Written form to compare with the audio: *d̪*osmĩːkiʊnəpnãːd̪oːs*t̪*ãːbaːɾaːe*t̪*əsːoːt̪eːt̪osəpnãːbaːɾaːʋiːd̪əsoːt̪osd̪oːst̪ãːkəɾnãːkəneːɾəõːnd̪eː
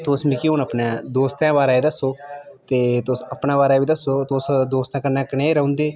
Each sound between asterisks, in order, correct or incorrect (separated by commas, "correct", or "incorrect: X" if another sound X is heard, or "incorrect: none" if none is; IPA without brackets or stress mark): incorrect: t̪, correct, incorrect: d̪